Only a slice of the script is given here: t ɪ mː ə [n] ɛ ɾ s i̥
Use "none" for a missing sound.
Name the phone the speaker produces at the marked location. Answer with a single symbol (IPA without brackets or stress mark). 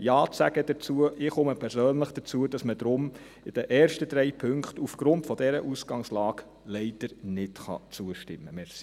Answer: m